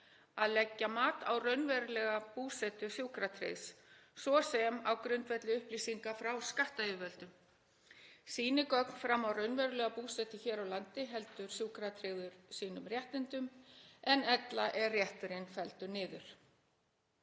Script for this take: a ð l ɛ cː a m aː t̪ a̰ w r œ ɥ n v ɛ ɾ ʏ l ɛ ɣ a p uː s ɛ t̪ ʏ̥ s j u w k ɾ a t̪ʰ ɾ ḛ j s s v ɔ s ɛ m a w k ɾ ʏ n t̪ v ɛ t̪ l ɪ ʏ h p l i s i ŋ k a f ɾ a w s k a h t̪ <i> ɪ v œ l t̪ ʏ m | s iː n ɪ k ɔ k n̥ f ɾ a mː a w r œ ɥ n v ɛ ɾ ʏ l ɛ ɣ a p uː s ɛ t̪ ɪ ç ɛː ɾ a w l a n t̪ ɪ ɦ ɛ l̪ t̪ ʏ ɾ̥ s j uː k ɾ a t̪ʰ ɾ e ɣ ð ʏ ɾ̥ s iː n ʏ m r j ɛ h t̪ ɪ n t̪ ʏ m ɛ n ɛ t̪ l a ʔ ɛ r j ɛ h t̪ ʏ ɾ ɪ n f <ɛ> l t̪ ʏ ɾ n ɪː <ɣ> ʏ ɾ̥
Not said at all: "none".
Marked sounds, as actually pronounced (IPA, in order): a, ɛ, ð

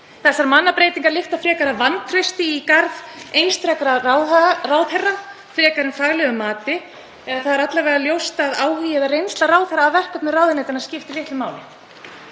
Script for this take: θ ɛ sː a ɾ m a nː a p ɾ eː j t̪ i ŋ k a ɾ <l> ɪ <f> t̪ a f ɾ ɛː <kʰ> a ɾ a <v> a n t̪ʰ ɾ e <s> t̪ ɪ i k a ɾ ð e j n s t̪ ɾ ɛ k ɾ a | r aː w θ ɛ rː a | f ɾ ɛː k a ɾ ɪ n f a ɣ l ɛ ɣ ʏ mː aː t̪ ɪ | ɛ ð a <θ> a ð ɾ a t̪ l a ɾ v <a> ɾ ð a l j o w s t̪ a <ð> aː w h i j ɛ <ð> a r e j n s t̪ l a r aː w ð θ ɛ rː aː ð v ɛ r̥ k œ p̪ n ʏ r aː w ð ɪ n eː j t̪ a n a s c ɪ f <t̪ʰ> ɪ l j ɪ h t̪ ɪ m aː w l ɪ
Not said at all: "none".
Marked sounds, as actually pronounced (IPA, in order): l, f, k, v, s, θ, ɛ, ð, ð, t̪

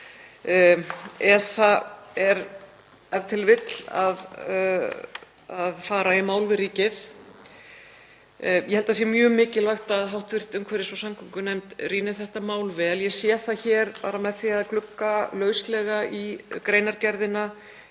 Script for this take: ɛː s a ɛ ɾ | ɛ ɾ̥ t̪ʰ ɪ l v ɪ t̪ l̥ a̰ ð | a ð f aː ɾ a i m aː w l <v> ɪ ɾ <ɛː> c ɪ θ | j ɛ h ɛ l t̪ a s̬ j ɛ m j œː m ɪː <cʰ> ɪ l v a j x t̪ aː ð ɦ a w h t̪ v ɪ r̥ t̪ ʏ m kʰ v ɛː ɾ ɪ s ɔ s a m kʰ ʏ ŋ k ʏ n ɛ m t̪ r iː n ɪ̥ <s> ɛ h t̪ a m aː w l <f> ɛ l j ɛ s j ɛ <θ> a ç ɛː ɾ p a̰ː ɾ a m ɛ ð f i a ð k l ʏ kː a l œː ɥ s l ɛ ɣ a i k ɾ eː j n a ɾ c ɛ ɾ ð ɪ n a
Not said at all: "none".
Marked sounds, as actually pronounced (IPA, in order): v, iː, c, θ, v, θ

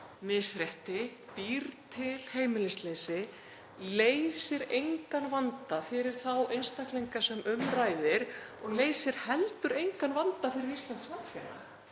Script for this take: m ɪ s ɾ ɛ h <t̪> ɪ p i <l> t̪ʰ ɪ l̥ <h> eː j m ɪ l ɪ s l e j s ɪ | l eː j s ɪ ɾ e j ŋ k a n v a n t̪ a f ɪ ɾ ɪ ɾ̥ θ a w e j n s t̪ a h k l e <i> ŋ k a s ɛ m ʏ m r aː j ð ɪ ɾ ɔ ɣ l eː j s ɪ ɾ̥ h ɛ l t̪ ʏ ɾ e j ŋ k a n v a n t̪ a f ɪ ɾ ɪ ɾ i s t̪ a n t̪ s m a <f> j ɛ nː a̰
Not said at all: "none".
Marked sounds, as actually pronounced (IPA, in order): t̪, ɾ, h, j, f

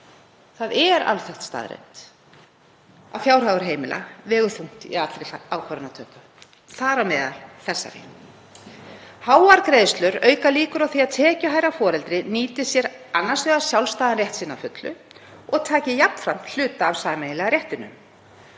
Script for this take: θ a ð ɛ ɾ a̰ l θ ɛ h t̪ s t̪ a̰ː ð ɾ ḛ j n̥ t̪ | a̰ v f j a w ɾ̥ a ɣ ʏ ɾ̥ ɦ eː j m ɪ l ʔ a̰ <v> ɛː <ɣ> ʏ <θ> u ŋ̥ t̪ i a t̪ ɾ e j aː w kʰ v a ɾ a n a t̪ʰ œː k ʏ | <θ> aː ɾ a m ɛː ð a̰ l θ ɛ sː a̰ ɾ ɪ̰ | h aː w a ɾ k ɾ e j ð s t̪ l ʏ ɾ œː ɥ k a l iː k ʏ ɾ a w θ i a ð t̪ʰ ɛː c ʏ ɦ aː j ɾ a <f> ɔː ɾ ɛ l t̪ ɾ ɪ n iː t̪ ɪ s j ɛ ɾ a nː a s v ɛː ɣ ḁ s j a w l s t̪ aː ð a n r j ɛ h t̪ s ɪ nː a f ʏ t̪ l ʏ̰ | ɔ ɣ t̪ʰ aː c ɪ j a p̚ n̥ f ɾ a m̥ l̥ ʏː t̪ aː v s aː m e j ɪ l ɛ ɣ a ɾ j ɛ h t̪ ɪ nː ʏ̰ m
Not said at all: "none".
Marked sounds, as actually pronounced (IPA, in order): v, ɣ, θ, θ, f

